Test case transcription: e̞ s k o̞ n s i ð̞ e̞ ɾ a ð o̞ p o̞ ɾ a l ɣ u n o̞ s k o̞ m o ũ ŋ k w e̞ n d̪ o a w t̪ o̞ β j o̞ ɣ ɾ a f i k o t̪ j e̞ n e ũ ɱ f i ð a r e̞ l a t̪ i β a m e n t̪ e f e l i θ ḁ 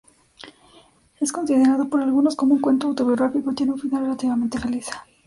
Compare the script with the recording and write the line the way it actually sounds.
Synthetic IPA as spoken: e̞ s k o̞ n s i ð̞ e̞ ɾ a ð o̞ p o̞ ɾ a l ɣ u n o̞ s k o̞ m o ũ ŋ k w e̞ n t̪ o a w t̪ o̞ β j o̞ ɣ ɾ a f i k o t̪ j e̞ n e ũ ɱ f i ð a r e̞ l a t̪ i β a m e n t̪ e f e l i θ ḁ